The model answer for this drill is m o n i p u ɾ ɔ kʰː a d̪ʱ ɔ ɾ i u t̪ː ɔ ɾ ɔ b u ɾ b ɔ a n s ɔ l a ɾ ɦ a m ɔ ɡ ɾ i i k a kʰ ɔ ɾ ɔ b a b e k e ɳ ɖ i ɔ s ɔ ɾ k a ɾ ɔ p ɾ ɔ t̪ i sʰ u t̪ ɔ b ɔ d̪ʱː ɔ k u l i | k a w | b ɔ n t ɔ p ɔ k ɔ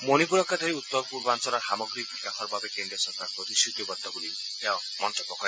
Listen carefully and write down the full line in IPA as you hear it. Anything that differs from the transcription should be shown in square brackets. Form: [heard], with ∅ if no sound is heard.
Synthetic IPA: m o n i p u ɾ ɔ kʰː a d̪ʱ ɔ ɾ i u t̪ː ɔ ɾ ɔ [p] u ɾ b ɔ a n s ɔ l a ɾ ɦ a m ɔ ɡ ɾ i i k a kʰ ɔ ɾ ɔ b a b e k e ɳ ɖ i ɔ s ɔ ɾ k a ɾ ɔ p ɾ ɔ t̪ i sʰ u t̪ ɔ b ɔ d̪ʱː ɔ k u l i | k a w | [m] ɔ n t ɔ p ɔ k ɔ